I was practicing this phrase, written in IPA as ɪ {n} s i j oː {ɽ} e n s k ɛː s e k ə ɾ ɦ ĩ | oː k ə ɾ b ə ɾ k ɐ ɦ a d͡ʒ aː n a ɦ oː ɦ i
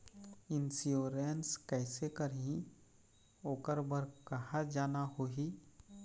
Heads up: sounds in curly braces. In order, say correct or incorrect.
correct, incorrect: ɾ

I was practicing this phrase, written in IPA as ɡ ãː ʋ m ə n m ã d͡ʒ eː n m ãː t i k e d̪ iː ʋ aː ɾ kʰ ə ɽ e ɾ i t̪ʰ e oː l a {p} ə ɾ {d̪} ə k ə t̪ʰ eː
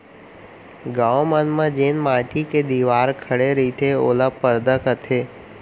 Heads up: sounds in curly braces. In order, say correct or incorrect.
correct, correct

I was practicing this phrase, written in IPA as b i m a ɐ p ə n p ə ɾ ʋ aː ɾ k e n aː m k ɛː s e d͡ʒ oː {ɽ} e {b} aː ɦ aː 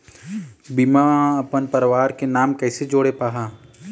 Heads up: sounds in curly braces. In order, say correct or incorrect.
correct, incorrect: p

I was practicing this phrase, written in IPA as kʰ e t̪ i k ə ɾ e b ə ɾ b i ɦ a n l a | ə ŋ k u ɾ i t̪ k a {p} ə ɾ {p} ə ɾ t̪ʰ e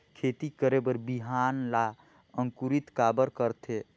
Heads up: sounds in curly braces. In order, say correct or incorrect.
incorrect: b, incorrect: k

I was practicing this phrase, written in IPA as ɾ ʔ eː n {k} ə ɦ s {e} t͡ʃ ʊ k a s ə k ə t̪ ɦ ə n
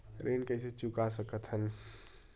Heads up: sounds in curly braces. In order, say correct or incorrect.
correct, correct

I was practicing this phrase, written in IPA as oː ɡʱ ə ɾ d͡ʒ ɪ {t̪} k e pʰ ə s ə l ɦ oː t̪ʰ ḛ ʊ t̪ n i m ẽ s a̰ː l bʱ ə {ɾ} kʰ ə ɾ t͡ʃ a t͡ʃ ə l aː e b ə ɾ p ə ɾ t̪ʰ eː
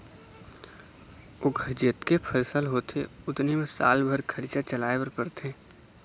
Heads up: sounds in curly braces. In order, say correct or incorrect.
correct, correct

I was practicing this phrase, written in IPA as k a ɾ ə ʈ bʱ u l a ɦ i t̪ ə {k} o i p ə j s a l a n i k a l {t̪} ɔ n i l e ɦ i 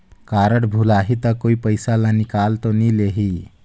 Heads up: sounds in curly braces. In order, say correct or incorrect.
correct, correct

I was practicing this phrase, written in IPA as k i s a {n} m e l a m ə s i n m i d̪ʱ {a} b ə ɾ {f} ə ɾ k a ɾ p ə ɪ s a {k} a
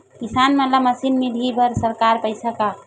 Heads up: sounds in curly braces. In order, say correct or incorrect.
correct, incorrect: i, incorrect: s, correct

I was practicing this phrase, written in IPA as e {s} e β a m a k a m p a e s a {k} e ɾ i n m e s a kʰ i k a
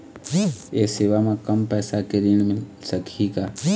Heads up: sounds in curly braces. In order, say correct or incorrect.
correct, correct

